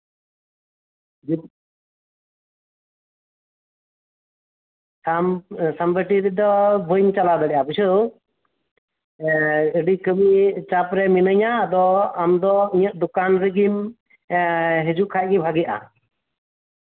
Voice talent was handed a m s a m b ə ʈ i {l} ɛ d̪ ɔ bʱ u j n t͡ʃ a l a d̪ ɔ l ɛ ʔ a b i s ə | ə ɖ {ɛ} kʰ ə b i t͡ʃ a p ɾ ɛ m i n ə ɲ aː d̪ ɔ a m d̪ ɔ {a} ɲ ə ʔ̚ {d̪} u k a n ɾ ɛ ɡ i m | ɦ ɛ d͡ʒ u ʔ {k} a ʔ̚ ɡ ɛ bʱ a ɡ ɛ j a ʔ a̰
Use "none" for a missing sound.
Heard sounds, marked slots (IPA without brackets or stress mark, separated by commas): ɾ, i, i, d̪, kʰ